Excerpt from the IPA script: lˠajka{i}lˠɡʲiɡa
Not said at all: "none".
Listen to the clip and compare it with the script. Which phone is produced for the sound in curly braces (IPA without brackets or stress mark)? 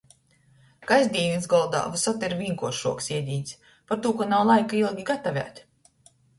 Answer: i